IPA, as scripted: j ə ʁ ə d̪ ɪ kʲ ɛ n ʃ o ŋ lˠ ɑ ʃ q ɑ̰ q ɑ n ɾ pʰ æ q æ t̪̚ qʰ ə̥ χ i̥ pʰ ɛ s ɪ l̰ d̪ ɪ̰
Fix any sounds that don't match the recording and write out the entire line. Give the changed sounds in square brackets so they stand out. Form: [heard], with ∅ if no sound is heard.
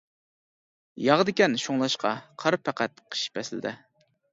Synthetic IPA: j [ɑ] ʁ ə d̪ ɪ kʲ ɛ n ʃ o ŋ lˠ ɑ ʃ q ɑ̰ [qʰ] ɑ [∅] ɾ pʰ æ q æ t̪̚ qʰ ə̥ [ʃ] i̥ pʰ ɛ s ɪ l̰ d̪ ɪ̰